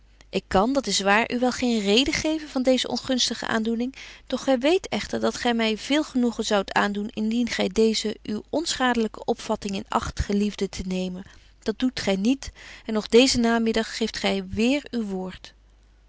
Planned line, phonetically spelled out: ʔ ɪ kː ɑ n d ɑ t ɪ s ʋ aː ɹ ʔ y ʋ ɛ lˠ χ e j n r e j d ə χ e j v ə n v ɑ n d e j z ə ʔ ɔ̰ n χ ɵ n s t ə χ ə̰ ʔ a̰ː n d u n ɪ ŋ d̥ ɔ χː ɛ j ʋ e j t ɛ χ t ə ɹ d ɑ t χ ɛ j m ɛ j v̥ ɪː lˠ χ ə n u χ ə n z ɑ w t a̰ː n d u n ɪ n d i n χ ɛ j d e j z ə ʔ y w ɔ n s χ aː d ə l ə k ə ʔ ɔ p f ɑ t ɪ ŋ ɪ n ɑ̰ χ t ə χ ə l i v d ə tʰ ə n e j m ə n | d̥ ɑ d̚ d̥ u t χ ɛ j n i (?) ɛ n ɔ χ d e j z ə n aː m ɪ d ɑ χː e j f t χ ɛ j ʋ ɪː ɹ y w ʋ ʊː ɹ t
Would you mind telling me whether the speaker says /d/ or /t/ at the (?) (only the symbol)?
t